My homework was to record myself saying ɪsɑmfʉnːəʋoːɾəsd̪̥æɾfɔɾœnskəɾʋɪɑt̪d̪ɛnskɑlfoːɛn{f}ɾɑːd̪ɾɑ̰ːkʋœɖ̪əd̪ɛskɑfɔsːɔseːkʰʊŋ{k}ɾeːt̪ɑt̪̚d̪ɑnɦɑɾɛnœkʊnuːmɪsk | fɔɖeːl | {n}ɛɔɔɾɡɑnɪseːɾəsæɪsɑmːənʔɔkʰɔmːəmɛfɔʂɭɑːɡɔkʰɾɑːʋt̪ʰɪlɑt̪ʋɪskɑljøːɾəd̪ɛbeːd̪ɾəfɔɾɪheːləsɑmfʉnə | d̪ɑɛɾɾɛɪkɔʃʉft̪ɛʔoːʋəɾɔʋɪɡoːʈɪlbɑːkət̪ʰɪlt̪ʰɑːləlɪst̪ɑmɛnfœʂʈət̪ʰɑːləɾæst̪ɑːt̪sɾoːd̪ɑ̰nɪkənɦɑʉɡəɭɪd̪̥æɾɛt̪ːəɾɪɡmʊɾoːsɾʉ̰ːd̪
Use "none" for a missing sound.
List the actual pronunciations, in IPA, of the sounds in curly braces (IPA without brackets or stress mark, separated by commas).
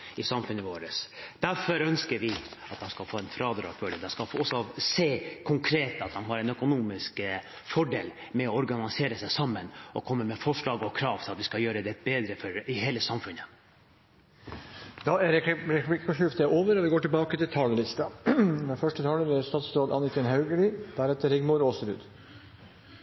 f, kʰ, m